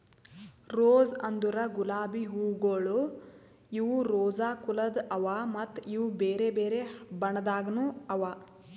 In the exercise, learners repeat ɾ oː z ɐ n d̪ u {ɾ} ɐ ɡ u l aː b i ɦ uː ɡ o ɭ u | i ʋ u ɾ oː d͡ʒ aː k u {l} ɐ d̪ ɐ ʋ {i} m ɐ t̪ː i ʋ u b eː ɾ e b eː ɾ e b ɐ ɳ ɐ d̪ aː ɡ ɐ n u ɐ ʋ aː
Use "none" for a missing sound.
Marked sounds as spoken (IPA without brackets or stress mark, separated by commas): ɾ, l, a